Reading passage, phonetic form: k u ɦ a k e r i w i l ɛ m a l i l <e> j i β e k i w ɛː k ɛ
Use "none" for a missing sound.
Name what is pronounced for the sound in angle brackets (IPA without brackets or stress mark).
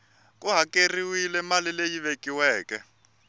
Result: e